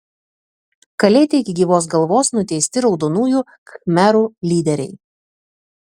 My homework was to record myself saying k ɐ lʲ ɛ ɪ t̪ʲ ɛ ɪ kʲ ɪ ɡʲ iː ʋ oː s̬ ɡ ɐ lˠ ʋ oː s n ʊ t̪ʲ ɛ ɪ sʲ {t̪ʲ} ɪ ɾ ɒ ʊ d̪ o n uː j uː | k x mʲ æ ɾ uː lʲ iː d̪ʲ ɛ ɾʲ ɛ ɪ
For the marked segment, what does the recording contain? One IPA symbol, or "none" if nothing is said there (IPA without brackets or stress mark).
t̪ʲ